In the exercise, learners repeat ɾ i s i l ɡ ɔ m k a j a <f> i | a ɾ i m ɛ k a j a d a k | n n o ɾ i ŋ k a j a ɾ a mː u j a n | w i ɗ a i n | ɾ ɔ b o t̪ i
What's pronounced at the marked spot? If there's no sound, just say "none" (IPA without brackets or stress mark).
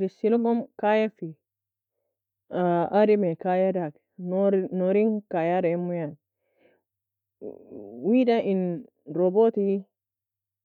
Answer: f